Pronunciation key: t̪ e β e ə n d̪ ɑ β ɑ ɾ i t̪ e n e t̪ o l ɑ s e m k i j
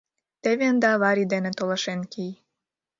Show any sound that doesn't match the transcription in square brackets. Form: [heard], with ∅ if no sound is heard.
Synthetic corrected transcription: t̪ e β e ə n d̪ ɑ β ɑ ɾ i [d̪] e n e t̪ o l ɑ [ʃ] e [n] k i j